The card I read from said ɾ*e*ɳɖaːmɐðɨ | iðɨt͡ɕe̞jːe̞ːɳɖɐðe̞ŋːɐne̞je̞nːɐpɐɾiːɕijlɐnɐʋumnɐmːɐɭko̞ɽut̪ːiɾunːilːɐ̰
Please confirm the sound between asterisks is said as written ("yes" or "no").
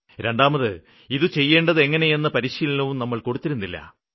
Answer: yes